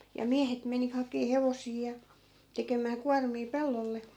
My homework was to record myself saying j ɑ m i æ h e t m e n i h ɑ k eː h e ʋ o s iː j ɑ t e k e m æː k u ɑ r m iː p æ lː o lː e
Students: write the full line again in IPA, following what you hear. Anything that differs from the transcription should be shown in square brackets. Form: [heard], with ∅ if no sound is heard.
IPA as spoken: j ɑ m i æ h e t m e n i h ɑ k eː h e ʋ o s iː j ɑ t e k e m æː k u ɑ r m iː p [e] lː o lː e